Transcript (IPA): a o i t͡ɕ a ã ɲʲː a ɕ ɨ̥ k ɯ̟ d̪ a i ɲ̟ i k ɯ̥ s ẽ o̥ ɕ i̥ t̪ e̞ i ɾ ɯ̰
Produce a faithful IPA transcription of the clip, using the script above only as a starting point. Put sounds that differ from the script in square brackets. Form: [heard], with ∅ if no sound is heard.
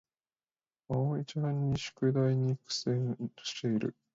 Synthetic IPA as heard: a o i t͡ɕ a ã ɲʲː [i] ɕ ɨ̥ k ɯ̟ d̪ a i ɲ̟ i k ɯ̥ s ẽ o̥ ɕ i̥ t̪ e̞ i ɾ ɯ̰